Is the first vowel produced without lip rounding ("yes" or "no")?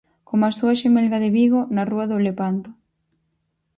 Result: no